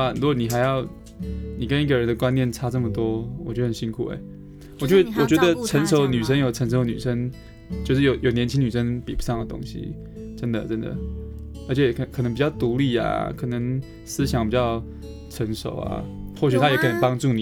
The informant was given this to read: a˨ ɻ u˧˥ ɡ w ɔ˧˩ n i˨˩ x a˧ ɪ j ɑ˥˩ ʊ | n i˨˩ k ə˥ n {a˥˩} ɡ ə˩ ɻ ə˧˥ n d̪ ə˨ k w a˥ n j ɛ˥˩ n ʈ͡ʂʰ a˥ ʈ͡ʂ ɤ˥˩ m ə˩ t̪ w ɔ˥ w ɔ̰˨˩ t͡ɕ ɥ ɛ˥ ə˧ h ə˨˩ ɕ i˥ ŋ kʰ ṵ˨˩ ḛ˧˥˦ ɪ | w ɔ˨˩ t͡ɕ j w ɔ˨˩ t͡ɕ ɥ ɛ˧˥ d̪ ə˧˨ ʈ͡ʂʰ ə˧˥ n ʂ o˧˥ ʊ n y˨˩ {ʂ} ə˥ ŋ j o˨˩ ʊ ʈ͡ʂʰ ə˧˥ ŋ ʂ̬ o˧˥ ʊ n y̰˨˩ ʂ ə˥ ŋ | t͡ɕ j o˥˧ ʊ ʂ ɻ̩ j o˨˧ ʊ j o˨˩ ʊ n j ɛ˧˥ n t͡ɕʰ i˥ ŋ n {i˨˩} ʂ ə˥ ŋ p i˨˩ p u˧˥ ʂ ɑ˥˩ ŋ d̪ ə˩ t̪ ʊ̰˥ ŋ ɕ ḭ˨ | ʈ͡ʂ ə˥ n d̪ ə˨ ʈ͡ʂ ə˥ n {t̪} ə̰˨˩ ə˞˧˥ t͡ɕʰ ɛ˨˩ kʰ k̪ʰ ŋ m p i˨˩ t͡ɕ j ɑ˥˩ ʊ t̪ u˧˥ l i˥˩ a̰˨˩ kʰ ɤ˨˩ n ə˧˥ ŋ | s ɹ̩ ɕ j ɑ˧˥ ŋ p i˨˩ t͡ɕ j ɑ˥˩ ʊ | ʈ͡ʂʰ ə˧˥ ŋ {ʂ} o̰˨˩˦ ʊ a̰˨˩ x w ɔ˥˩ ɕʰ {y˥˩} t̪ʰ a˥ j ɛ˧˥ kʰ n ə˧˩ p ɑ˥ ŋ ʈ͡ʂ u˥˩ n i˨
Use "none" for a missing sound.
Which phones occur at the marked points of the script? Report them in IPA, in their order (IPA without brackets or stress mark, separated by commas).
i˥˩, ʂ, y˨˩, d̪, ʂ, y˨˩